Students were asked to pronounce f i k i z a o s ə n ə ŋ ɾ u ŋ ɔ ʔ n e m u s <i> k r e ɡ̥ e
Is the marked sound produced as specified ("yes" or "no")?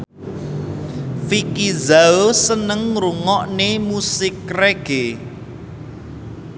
no